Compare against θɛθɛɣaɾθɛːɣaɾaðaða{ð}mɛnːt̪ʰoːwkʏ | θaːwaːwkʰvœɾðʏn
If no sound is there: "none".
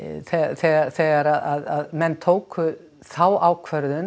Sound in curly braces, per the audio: ð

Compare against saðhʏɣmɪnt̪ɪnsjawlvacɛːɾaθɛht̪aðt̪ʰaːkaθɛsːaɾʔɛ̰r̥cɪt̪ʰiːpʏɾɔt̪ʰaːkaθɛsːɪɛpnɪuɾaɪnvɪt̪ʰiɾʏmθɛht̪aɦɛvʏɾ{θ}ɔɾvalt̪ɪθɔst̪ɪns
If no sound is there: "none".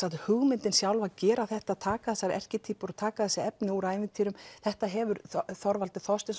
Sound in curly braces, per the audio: θ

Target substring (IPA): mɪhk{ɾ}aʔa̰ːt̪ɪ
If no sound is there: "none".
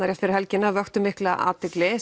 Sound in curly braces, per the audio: l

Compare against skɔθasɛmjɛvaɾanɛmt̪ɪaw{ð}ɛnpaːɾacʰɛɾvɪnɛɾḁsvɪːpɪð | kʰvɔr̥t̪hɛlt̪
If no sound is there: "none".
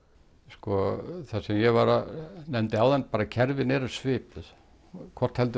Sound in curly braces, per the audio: ð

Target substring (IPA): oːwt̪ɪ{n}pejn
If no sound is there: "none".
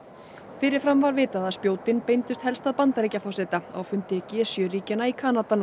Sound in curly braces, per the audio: n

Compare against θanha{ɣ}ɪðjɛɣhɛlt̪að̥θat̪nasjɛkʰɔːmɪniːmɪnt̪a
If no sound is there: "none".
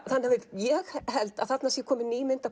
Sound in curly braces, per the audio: v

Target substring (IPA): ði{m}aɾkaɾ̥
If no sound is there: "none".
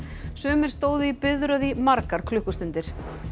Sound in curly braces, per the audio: m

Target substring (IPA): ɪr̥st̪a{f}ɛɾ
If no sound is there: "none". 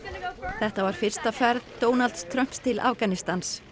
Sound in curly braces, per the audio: f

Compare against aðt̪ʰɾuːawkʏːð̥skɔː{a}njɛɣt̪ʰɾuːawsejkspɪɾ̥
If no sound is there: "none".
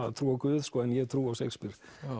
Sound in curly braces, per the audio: ɛ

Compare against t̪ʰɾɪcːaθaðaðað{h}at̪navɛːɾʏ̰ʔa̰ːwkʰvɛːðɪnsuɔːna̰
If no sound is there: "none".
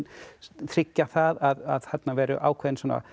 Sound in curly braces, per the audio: h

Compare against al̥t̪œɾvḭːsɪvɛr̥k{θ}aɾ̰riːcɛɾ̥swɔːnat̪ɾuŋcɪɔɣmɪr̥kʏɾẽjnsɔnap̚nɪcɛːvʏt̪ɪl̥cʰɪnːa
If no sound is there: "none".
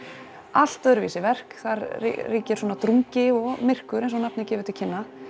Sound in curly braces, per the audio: θ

